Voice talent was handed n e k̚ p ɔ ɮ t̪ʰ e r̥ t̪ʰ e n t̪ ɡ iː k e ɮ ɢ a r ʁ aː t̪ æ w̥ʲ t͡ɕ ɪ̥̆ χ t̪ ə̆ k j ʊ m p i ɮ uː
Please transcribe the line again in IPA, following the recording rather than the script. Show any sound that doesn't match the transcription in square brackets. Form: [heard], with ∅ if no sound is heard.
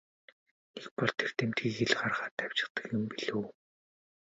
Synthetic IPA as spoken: n e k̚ p ɔ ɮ t̪ʰ e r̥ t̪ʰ e [m] t̪ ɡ iː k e ɮ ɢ a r ʁ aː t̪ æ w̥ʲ t͡ɕ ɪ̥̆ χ t̪ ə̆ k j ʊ m p i ɮ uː

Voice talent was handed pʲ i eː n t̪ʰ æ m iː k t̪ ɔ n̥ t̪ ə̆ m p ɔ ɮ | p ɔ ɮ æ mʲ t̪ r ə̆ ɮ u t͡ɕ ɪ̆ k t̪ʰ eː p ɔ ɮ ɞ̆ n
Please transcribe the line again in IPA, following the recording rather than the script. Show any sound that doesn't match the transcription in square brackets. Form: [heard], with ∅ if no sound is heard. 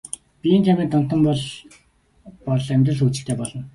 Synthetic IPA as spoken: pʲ i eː n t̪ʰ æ m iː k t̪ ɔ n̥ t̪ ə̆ m p ɔ ɮ | p ɔ ɮ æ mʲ t̪ r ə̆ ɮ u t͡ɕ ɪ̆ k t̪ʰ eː p ɔ ɮ ɞ̆ n

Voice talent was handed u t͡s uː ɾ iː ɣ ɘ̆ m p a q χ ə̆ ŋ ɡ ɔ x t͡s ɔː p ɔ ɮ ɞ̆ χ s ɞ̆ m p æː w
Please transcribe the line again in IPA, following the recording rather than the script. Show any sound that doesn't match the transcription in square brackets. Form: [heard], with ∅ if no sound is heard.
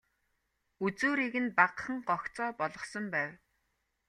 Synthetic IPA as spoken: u t͡s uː ɾ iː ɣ ɘ̆ [n] p a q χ ə̆ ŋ [ɢ] ɔ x t͡s ɔː p ɔ ɮ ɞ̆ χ s ɞ̆ m p æː w

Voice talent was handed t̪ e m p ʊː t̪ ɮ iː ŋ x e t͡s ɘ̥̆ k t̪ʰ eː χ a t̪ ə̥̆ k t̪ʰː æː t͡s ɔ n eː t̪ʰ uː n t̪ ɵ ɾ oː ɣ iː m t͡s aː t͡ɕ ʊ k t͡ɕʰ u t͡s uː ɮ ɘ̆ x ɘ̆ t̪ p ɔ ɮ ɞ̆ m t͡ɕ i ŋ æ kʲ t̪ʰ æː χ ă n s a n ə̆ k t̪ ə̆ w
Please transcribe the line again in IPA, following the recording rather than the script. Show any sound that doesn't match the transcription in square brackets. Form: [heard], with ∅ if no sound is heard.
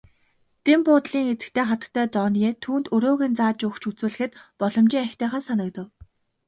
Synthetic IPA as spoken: t̪ e m p ʊː t̪ ɮ iː ŋ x e t͡s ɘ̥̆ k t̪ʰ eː χ a t̪ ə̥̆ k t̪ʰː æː t͡s ɔ n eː t̪ʰ uː n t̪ ɵ ɾ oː ɣ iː [n] t͡s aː t͡ɕ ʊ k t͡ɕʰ u t͡s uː ɮ ɘ̆ x ɘ̆ t̪ p ɔ ɮ ɞ̆ m t͡ɕ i ŋ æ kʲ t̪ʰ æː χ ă n s a n ə̆ k t̪ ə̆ w

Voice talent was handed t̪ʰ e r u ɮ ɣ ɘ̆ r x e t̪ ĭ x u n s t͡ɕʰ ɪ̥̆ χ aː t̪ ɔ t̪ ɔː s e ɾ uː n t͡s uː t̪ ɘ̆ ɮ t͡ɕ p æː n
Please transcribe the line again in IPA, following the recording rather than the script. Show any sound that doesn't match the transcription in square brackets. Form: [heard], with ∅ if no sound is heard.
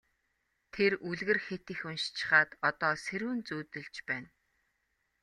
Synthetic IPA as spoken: t̪ʰ e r u ɮ ɣ ɘ̆ r x e t̪ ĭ x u n [ʃ] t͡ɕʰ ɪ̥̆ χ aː t̪ ɔ t̪ ɔː s e ɾ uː n t͡s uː t̪ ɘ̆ ɮ t͡ɕ p æː n

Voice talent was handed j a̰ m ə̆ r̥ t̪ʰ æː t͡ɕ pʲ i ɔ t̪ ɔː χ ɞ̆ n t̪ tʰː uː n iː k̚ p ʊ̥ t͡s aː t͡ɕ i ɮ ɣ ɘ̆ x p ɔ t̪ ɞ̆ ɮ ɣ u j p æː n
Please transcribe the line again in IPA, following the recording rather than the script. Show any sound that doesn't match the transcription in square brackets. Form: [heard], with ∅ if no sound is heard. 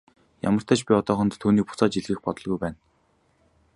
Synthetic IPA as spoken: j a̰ m ə̆ r̥ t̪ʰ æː t͡ɕ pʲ i ɔ t̪ ɔː χ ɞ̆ n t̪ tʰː uː n iː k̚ p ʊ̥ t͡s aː t͡ɕ i ɮ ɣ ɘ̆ x p ɔ t̪ ɞ̆ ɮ ɣ u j p æː n

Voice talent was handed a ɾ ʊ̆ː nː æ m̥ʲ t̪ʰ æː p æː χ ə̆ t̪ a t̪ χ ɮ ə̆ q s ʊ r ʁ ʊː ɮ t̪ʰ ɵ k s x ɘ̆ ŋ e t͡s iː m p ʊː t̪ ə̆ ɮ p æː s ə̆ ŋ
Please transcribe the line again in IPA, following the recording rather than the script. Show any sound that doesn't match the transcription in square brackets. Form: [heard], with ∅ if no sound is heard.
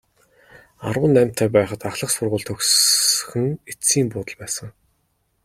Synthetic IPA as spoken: a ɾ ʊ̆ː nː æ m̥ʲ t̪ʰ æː p æː χ ə̆ t̪ a [∅] χ ɮ ə̆ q s ʊ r ʁ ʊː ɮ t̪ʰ ɵ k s x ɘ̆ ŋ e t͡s iː m p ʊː t̪ ə̆ ɮ p æː s ə̆ ŋ

